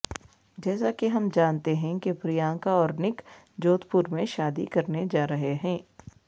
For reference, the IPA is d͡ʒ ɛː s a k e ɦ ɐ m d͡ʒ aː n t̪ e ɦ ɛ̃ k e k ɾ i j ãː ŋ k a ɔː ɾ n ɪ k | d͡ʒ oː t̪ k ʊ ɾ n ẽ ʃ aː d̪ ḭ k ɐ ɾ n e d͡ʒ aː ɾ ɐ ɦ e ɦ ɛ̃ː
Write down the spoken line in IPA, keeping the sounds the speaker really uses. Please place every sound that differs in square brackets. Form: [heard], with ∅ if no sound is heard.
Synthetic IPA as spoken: d͡ʒ ɛː s a k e ɦ ɐ m d͡ʒ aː n t̪ e ɦ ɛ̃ k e [p] ɾ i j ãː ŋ k a ɔː ɾ n ɪ k | d͡ʒ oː t̪ [p] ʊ ɾ [m] ẽ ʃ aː d̪ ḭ k ɐ ɾ n e d͡ʒ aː ɾ ɐ ɦ e ɦ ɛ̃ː

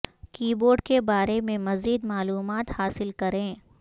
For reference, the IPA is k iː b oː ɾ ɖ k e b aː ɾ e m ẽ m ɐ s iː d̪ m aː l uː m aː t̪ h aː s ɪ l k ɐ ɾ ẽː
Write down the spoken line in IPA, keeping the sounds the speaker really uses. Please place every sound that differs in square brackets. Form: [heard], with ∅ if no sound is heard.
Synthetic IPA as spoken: k iː b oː ɾ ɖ k e b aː ɾ e m ẽ m ɐ [z] iː d̪ m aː l uː m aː t̪ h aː s ɪ l k ɐ ɾ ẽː

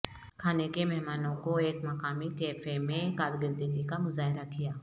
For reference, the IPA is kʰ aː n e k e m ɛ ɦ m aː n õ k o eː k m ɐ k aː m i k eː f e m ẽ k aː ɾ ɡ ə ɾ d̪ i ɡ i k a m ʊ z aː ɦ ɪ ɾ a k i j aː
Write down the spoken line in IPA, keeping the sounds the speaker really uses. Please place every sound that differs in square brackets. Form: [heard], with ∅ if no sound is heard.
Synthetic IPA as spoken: kʰ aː n e k e m ɛ ɦ m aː n õ k o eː k m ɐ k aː m i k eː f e m ẽ k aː ɾ ɡ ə ɾ d̪ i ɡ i k a m ʊ z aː ɦ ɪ ɾ a k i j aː

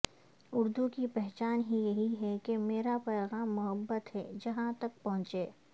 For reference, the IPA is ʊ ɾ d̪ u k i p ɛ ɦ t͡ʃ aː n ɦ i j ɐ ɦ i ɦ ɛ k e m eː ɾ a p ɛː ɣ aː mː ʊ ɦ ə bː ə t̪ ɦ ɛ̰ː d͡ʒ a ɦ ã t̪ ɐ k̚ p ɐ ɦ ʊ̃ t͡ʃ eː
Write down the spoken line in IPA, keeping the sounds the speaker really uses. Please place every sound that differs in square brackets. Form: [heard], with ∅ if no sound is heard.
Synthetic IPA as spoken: ʊ ɾ d̪ u k i p ɛ ɦ t͡ʃ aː n ɦ i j ɐ ɦ i ɦ ɛ k e m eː ɾ a p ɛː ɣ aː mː ʊ ɦ ə bː ə t̪ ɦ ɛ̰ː d͡ʒ [ɐ] ɦ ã t̪ ɐ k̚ p ɐ ɦ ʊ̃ t͡ʃ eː

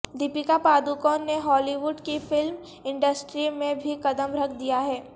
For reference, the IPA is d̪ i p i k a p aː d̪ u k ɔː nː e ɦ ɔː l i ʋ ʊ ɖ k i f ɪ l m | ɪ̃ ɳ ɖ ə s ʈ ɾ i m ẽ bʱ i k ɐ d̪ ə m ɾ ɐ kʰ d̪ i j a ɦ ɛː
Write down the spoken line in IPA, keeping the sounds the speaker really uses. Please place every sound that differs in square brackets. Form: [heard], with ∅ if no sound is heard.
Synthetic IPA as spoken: d̪ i p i k a p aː d̪ u k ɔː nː e ɦ ɔː l i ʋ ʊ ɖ k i f ɪ l m | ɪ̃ ɳ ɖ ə s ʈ ɾ i m ẽ bʱ i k ɐ d̪ ə m ɾ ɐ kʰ d̪ i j a ɦ ɛː

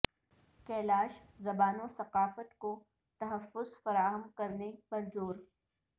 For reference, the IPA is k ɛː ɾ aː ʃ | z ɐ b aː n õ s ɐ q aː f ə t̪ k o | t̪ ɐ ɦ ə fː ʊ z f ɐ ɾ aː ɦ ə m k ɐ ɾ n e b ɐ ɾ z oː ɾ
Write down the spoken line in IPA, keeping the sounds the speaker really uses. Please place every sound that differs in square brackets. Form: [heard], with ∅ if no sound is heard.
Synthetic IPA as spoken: k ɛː [l] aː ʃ | z ɐ b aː n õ s ɐ q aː f ə t̪ k o | t̪ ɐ ɦ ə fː ʊ z f ɐ ɾ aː ɦ ə m k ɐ ɾ n e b ɐ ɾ z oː ɾ

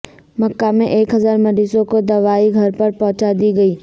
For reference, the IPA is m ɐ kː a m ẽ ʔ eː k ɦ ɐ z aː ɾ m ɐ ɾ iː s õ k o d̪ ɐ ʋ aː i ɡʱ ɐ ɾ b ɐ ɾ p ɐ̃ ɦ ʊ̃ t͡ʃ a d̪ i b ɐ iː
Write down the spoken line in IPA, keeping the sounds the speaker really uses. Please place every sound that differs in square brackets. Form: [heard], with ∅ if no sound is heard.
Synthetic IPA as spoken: m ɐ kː a m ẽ ʔ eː k ɦ ɐ z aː ɾ m ɐ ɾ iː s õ k o d̪ ɐ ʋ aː i ɡʱ ɐ ɾ [p] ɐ ɾ p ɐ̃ ɦ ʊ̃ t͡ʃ a d̪ i [ɡ] ɐ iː

